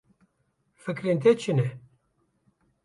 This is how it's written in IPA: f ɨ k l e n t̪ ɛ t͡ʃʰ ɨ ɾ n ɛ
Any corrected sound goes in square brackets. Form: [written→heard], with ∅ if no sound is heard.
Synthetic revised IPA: f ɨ k [l→ɾ] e n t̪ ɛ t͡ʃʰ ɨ [ɾ→∅] n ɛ